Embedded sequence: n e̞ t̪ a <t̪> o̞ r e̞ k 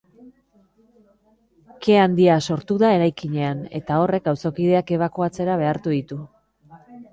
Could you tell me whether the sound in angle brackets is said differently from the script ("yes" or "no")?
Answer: yes